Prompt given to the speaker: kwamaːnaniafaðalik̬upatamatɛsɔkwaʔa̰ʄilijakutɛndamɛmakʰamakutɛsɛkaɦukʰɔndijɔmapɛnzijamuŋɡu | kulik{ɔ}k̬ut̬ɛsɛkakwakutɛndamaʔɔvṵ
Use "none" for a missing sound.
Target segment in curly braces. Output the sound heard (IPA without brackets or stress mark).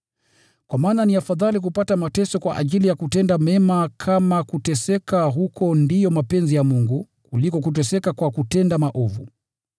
ɔ